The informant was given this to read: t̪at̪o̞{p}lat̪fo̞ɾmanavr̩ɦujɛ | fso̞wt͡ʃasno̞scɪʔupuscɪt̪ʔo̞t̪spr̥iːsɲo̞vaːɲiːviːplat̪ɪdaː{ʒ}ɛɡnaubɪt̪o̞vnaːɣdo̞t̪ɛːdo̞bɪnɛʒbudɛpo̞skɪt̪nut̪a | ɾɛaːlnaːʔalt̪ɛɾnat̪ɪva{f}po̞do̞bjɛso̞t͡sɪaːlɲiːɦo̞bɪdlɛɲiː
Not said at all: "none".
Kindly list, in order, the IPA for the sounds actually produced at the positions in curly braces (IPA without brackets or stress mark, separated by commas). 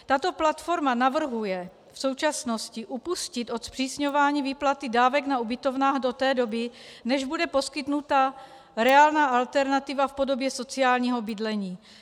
p, v, f